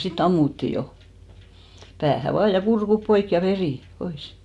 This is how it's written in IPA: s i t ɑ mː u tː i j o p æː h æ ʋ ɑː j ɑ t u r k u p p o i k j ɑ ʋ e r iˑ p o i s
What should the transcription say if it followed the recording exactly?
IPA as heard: s i t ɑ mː u tː i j o p æː h æ ʋ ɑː j ɑ k u r k u p p o i k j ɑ ʋ e r iˑ p o i s

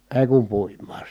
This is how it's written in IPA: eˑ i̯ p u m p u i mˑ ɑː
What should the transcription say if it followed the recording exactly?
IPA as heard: eˑ i̯ k u m p u i mˑ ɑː

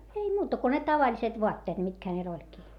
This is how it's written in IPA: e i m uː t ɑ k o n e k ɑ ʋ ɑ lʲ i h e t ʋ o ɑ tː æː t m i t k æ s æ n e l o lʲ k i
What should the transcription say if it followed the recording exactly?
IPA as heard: e i m uː t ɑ k o n e t ɑ ʋ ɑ lʲ i s e t ʋ o ɑ tː eː t m i t k æ h æ n e l o lʲ k i

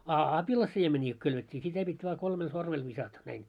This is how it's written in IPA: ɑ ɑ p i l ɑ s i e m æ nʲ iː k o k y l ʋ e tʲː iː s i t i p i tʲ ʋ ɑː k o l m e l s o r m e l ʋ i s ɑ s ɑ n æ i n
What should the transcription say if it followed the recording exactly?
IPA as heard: ɑ ɑ p i l ɑ s i e m e nʲ iː k o k y l ʋ e tʲː iː s i t æ p i tʲ ʋ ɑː k o l m e l s o r m e l ʋ i s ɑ t ɑ n æ i n

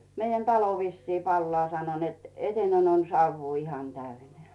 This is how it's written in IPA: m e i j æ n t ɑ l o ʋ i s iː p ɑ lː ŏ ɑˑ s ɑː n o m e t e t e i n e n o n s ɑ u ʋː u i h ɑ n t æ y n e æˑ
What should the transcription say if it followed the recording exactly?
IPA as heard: m e i j æ n t ɑ l o ʋ i sː iː p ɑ lː ŏ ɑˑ s ɑ n o n e t e t e i n e n o n s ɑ u ʋː uː i h ɑ n t æ y n e æˑ

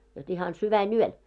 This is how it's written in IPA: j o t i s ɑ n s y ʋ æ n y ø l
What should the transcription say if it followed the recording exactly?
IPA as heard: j o t i h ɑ n s y ʋ æ n y ø l

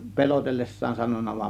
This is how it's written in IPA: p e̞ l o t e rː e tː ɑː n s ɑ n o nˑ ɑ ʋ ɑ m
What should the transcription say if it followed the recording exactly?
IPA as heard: p e̞ l o t e lː e sː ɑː n s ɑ n o nˑ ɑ ʋ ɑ m

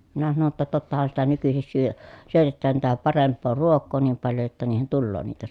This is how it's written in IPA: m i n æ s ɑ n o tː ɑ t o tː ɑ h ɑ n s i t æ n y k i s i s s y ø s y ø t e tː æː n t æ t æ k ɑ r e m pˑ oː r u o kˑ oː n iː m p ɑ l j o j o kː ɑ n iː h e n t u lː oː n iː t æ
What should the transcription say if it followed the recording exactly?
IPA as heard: m i n æ s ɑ n o tː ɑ t o tː ɑ h ɑ n s i t æ n y k y s i s s y ø s y ø t e tː æː n t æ t æ p ɑ r e m pˑ oː r u o kˑ oː n iː m p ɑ l j o j o tː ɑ n iː h e n t u lː oː n iː t æ

